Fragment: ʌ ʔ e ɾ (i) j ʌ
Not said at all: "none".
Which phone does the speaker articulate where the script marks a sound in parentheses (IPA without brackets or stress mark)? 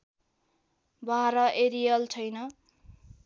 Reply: i